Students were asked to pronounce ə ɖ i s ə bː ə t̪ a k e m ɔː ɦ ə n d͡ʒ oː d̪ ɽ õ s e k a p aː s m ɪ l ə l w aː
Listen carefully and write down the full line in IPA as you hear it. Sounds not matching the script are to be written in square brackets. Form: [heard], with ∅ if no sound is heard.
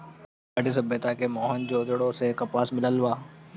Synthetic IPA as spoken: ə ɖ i s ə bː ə t̪ a k e m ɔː ɦ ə n d͡ʒ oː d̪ ɽ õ s e k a p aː s m ɪ l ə l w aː